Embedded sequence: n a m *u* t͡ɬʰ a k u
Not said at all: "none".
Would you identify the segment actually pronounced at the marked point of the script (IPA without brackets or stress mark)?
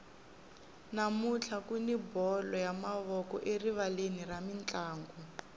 u